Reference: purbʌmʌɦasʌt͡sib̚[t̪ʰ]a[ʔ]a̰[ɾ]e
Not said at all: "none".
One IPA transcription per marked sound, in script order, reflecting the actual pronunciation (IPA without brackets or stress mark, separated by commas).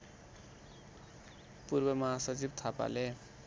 t̪ʰ, p, l